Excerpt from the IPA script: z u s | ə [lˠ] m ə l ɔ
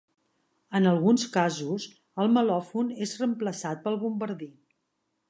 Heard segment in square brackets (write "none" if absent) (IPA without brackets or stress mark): lˠ